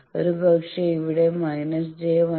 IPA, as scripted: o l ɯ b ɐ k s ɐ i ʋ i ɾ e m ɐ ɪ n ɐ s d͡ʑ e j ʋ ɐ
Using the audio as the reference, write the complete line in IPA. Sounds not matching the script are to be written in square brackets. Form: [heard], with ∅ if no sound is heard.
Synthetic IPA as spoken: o [ɾ] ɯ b ɐ k [ʂ] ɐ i ʋ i [ɽ] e m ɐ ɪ n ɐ s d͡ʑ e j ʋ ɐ

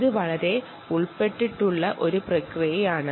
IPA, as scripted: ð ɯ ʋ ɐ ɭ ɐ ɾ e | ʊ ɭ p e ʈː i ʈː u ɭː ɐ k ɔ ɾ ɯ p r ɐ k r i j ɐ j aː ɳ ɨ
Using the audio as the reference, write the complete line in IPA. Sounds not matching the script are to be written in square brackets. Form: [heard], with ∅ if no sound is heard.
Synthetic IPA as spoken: ð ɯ ʋ ɐ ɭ ɐ ɾ e | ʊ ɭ p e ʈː i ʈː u ɭː ɐ [ʔ] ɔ ɾ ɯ p r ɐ k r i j ɐ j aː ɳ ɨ

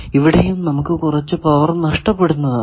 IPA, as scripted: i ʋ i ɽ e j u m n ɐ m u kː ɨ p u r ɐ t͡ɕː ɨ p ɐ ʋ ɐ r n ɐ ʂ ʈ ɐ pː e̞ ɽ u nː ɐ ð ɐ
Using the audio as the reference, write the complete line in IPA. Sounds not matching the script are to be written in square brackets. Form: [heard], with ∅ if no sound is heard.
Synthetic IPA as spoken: i ʋ i ɽ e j u m n ɐ m u kː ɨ [k] u r ɐ t͡ɕː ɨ p ɐ ʋ ɐ r n ɐ ʂ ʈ ɐ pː e̞ ɽ u nː ɐ ð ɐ

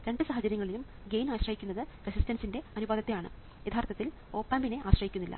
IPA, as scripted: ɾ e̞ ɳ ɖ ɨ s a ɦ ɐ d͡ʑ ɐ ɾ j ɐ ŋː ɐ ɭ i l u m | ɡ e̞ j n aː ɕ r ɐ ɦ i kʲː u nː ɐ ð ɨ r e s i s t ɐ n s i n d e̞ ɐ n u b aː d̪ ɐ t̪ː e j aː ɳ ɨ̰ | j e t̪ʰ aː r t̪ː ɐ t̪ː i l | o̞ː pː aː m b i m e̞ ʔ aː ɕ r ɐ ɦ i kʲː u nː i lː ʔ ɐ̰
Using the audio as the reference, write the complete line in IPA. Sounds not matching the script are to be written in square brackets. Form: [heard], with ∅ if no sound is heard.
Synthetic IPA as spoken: ɾ e̞ ɳ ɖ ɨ s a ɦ ɐ d͡ʑ ɐ ɾ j ɐ ŋː ɐ ɭ i l u m | ɡ e̞ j n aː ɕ r ɐ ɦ i kʲː u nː ɐ ð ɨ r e s i s t ɐ n s i n d e̞ ɐ n u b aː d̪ ɐ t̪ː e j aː ɳ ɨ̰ | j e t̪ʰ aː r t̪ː ɐ t̪ː i l | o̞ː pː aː m b i [n] e̞ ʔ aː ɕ r ɐ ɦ i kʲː u nː i lː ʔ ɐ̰

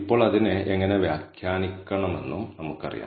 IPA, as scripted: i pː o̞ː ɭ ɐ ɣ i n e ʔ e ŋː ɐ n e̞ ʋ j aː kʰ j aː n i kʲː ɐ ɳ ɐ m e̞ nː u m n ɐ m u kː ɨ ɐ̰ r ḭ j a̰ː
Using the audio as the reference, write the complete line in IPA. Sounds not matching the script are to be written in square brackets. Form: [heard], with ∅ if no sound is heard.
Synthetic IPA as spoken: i pː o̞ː ɭ ɐ [ð] i n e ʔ e ŋː ɐ n e̞ ʋ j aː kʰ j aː n i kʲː ɐ ɳ ɐ m e̞ nː u m n ɐ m u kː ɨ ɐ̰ r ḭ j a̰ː

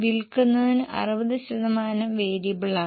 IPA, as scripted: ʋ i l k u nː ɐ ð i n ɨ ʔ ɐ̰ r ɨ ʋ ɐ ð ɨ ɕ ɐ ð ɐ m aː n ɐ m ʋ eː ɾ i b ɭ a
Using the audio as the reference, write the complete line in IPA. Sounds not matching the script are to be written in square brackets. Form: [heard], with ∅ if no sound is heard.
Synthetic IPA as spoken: ʋ i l k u nː ɐ ð i n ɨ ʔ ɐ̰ r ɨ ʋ ɐ ð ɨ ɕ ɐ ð ɐ m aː n ɐ m ʋ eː ɾ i b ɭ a

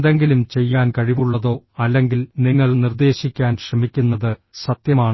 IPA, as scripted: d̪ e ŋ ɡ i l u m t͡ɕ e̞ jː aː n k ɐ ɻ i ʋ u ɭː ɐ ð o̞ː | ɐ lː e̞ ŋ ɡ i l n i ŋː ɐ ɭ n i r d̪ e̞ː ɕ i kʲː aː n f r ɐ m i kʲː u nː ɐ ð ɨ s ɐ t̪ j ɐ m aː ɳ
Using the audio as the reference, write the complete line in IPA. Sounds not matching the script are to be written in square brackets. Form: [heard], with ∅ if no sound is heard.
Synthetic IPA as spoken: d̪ e ŋ ɡ i l u m t͡ɕ e̞ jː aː n k ɐ ɻ i ʋ u ɭː ɐ ð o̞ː | ɐ lː e̞ ŋ ɡ i l n i ŋː ɐ ɭ n i r d̪ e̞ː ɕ i kʲː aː n [ɕ] r ɐ m i kʲː u nː ɐ ð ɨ s ɐ t̪ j ɐ m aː ɳ

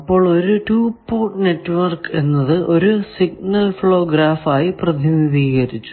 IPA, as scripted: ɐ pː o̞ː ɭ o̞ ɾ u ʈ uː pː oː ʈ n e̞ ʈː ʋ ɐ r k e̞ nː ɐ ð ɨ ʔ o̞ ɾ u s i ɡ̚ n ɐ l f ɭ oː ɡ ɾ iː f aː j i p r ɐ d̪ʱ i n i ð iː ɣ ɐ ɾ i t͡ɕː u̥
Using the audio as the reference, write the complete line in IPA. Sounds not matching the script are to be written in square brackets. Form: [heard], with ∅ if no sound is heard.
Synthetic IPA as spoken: ɐ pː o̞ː ɭ o̞ ɾ u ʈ uː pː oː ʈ n e̞ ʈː ʋ ɐ r k e̞ nː ɐ ð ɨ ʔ o̞ ɾ u s i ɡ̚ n ɐ l f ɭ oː ɡ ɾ [aː] f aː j i p r ɐ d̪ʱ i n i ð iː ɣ ɐ ɾ i t͡ɕː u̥

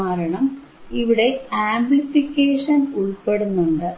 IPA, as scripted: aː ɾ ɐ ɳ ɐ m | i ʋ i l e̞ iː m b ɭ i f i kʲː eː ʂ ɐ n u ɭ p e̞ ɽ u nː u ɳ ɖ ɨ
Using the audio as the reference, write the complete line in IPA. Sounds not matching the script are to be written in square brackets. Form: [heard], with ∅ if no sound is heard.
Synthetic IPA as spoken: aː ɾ ɐ ɳ ɐ m | i ʋ i [ɽ] e̞ [aː] m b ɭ i f i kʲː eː ʂ ɐ n u ɭ p e̞ ɽ u nː u ɳ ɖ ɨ

